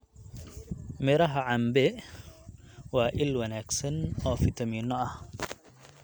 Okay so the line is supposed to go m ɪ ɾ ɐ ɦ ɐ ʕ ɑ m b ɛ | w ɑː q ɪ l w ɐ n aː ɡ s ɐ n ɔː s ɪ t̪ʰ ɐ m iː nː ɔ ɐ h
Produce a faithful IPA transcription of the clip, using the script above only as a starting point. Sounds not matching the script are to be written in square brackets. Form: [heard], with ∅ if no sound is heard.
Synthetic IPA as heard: m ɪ ɾ ɐ ɦ ɐ ʕ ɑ m b ɛ | w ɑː [ʔ] ɪ l w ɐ n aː ɡ s ɐ n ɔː [f] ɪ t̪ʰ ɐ m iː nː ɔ ɐ h

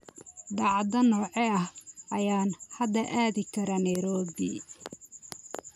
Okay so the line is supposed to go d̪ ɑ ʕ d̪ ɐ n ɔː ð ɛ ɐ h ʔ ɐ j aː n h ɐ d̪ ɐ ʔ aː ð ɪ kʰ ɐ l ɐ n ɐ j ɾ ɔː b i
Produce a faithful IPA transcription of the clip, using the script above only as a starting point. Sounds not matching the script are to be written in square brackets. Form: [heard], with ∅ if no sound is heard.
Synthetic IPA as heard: d̪ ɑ ʕ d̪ ɐ n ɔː [ʕ] ɛ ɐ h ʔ ɐ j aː n h ɐ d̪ ɐ ʔ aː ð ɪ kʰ ɐ [ɾ] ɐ n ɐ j ɾ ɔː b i

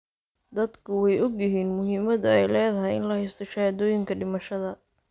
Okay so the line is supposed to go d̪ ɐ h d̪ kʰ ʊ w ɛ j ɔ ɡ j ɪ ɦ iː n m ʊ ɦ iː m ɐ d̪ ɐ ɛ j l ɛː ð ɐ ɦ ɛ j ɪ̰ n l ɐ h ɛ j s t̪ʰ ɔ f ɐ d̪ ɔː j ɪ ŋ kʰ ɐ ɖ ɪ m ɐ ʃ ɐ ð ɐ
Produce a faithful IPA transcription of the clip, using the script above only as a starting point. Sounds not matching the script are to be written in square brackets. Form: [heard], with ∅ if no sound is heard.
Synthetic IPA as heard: d̪ ɐ [∅] d̪ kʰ ʊ w ɛ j ɔ ɡ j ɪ ɦ iː n m ʊ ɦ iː m ɐ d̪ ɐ ɛ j l ɛː ð ɐ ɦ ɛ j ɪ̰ n l ɐ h ɛ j s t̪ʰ ɔ [ʃ] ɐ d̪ ɔː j ɪ ŋ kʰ ɐ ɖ ɪ m ɐ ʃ ɐ ð ɐ

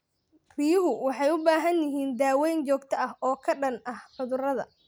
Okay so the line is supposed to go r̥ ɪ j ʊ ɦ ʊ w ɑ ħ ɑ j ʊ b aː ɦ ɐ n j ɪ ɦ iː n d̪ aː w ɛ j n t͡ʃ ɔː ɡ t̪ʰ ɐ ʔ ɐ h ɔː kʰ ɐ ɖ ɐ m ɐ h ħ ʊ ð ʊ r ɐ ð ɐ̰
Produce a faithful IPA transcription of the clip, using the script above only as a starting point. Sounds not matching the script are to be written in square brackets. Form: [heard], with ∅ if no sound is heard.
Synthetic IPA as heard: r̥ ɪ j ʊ ɦ ʊ w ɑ ħ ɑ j ʊ b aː ɦ ɐ n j ɪ ɦ iː n d̪ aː w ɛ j n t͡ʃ ɔː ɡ t̪ʰ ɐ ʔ ɐ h ɔː kʰ ɐ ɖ ɐ [n] ɐ h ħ ʊ ð ʊ r ɐ ð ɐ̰

